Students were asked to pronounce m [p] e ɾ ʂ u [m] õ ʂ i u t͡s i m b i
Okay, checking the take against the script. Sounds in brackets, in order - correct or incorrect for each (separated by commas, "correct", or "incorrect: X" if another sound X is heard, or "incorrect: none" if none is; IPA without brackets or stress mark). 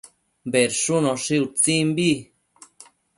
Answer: incorrect: b, incorrect: n